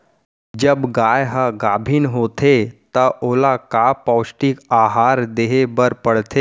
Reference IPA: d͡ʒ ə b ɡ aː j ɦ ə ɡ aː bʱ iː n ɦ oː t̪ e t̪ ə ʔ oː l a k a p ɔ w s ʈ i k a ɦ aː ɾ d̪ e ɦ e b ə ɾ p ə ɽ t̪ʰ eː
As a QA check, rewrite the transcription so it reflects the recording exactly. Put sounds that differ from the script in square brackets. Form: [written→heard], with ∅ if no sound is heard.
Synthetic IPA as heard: d͡ʒ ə b ɡ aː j ɦ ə ɡ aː bʱ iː n ɦ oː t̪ e t̪ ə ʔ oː l a k a p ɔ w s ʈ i k a ɦ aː ɾ d̪ e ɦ e b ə ɾ p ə ɽ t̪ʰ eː